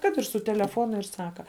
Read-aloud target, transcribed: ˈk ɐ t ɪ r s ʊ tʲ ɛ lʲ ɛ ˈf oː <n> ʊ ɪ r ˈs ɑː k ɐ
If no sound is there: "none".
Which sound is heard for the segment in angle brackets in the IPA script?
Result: n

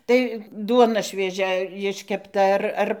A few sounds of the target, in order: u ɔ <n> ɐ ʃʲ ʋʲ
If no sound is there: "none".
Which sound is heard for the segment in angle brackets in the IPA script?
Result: n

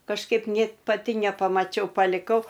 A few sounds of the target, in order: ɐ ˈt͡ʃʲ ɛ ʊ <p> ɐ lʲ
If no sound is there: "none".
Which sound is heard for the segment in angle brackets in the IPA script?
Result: p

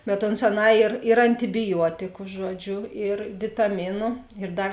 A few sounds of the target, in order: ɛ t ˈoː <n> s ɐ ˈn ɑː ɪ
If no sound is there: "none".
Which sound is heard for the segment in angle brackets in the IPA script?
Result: n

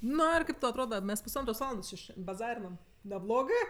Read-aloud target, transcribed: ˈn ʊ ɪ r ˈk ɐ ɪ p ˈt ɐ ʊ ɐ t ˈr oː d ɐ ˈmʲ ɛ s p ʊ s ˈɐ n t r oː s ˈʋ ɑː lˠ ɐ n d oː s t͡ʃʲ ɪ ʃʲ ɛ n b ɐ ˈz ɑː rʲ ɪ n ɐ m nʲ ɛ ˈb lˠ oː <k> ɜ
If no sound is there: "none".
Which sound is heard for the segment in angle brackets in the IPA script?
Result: ɡ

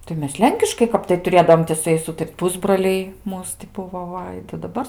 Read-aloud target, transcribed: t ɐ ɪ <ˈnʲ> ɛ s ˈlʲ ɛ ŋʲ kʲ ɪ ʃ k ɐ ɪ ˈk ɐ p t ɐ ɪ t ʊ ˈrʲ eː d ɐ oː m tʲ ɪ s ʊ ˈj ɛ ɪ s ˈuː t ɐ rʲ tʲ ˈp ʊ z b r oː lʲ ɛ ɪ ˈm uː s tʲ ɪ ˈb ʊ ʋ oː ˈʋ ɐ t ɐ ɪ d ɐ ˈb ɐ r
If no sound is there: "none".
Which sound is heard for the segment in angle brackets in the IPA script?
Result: mʲ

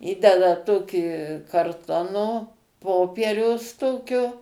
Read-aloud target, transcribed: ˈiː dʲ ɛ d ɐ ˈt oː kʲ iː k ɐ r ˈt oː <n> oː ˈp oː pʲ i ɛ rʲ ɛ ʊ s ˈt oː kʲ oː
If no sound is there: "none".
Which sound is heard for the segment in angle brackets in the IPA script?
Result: n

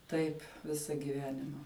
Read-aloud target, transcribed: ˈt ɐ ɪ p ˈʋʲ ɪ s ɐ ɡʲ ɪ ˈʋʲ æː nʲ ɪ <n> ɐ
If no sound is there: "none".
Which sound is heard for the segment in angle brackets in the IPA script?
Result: m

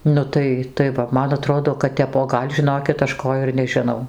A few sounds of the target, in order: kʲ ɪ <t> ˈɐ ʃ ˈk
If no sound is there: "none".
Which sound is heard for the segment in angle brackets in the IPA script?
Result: t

